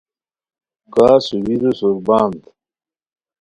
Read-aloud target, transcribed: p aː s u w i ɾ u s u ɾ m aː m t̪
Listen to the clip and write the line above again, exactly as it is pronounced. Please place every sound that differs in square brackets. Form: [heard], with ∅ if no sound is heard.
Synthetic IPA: [k] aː s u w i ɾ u s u ɾ [b] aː [n] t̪